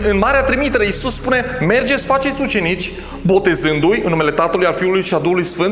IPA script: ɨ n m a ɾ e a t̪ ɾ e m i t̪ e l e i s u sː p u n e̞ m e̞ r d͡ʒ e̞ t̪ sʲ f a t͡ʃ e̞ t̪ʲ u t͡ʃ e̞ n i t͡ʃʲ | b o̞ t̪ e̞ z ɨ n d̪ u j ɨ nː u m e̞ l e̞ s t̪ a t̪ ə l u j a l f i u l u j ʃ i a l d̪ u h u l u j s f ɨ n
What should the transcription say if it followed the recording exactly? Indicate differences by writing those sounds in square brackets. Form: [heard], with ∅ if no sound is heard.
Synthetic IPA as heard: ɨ n m a ɾ e a t̪ ɾ [i] m i t̪ e [ɾ] e i s u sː p u n e̞ m e̞ r d͡ʒ e̞ t̪ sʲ f a t͡ʃ e̞ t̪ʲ u t͡ʃ e̞ n i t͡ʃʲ | b o̞ t̪ e̞ z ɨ n d̪ u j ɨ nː u m e̞ l e̞ [∅] t̪ a t̪ ə l u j a l f i u l u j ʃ i a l d̪ u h u l u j s f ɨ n